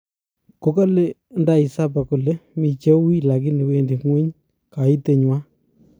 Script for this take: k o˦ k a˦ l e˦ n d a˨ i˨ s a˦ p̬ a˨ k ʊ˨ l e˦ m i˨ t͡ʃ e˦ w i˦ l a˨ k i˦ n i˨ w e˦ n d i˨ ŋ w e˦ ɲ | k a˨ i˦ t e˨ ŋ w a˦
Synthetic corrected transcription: k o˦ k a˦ l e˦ n d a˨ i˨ s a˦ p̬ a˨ k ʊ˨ l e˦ m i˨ t͡ʃ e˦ w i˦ l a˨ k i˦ n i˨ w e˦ n d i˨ ŋ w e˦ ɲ | k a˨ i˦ t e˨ ɲ w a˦